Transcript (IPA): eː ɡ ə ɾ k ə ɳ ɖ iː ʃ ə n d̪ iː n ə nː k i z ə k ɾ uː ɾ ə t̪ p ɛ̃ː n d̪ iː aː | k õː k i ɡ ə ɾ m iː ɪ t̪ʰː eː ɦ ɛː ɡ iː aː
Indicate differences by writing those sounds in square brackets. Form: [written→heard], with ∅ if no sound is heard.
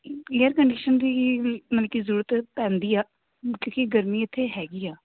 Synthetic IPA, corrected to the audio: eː [ɡ→∅] ə ɾ k ə ɳ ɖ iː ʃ ə n d̪ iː [n→m] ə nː k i z ə [k→∅] ɾ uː ɾ ə t̪ p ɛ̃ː n d̪ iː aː | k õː k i ɡ ə ɾ m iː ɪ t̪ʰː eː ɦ ɛː ɡ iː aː